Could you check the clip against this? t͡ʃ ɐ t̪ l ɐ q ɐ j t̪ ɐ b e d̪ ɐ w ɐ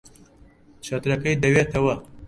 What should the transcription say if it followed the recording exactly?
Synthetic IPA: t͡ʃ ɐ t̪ ɾ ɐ k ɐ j d̪ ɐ w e t̪ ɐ w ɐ